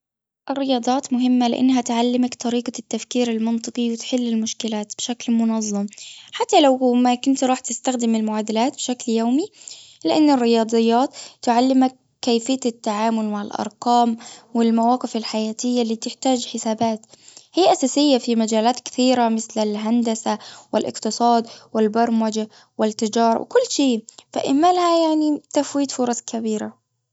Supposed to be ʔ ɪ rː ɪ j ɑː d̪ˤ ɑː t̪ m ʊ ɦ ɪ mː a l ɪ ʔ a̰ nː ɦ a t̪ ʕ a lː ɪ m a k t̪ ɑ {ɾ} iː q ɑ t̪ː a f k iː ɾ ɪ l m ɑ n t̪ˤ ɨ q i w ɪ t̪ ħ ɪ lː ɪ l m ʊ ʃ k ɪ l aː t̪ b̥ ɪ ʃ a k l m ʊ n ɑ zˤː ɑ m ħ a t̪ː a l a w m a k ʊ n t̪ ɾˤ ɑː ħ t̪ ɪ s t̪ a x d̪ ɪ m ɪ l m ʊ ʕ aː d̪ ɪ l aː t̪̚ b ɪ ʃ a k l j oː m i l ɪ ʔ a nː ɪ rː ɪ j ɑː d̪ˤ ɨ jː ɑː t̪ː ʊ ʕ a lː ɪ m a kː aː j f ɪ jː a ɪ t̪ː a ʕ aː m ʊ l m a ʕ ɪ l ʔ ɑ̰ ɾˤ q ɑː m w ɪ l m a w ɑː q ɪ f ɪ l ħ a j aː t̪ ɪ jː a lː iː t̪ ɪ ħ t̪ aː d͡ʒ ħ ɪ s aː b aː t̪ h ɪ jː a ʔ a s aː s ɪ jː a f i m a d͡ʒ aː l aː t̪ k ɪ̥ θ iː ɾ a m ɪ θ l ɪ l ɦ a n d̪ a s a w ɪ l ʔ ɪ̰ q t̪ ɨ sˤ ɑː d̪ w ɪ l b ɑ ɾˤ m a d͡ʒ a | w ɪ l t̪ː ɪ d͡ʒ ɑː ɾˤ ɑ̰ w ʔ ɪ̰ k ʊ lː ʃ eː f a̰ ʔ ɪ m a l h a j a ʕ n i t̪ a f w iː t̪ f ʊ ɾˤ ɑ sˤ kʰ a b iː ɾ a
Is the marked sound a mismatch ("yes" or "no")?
no